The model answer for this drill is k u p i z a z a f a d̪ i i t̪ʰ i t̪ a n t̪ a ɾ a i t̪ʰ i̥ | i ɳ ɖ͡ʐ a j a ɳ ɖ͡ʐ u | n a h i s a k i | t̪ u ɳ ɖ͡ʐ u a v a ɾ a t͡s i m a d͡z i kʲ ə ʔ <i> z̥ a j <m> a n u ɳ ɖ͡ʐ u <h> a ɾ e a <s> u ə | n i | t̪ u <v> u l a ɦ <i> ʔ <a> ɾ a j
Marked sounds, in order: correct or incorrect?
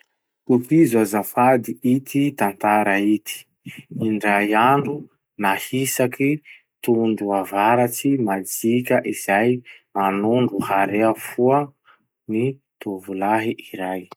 correct, correct, correct, incorrect, correct, correct, incorrect

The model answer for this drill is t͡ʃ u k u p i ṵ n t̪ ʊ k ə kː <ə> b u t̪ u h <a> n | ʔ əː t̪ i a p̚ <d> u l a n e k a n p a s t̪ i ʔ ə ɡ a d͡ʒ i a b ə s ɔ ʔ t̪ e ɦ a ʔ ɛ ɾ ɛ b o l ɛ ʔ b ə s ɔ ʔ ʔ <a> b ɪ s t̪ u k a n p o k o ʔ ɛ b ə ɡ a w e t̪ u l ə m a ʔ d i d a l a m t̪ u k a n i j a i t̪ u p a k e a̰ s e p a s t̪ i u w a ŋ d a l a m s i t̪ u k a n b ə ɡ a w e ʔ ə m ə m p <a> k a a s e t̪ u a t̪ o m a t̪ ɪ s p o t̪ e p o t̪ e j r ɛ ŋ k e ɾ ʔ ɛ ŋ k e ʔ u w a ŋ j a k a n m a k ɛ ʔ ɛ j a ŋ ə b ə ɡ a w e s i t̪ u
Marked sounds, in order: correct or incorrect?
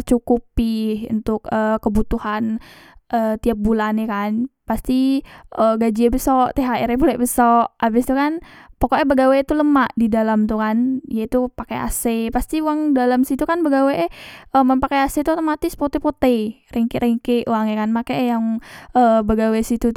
correct, correct, incorrect, correct, correct

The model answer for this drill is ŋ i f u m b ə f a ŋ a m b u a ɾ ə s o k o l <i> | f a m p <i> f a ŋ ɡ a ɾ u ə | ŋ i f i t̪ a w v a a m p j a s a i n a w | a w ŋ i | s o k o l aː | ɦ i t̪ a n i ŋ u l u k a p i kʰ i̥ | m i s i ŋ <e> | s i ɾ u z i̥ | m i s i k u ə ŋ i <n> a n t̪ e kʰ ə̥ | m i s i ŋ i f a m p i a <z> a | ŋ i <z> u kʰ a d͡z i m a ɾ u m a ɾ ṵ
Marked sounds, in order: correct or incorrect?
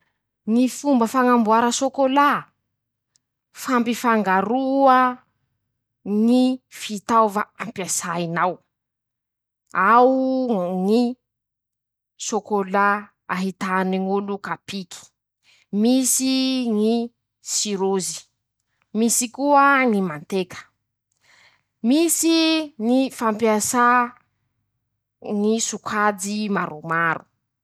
incorrect, correct, incorrect, incorrect, incorrect, incorrect

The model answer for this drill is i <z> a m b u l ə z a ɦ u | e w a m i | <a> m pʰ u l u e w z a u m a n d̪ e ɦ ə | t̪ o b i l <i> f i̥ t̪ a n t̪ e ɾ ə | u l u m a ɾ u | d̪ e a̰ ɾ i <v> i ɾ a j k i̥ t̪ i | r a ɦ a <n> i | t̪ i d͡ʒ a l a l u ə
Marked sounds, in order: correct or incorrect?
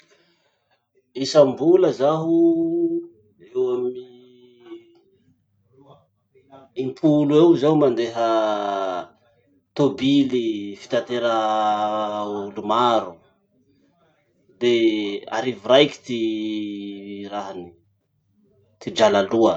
incorrect, incorrect, correct, correct, correct

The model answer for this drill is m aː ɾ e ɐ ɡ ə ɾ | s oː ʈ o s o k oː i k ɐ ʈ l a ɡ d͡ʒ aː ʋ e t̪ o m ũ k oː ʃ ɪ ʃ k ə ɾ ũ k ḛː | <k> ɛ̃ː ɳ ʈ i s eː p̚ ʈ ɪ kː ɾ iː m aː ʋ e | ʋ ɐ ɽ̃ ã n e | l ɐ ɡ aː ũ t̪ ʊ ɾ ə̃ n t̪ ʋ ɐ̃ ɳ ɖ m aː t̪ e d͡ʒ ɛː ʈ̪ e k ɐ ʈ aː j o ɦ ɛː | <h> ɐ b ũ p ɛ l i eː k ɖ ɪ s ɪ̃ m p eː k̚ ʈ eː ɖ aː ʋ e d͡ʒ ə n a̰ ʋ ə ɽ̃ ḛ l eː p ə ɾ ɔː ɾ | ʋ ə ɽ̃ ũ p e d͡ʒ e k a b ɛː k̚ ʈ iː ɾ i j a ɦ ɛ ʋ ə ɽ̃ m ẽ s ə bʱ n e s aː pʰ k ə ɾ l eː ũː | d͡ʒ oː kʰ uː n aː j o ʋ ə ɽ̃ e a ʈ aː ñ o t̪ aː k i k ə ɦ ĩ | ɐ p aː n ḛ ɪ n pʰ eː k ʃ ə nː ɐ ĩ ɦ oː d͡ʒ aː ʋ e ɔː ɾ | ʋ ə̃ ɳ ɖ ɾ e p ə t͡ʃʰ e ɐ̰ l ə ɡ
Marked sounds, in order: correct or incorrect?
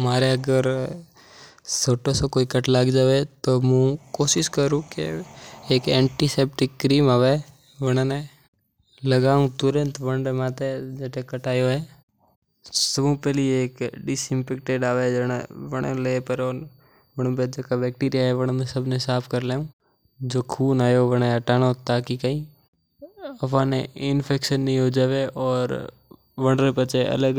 correct, incorrect

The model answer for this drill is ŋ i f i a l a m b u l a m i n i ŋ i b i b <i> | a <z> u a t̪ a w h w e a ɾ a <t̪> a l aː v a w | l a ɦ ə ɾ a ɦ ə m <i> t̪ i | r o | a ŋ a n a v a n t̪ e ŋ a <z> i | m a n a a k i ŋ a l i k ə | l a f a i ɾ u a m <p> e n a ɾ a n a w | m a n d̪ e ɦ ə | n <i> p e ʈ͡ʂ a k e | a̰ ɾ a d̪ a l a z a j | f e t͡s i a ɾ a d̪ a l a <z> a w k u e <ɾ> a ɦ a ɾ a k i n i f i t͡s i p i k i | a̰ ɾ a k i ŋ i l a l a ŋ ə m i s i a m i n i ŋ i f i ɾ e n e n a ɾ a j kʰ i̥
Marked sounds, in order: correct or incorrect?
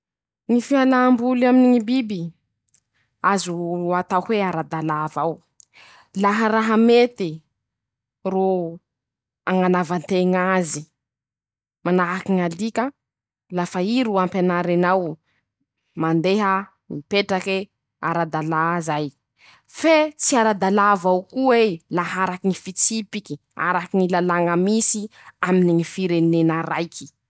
correct, correct, incorrect, incorrect, correct, correct, correct, incorrect, incorrect

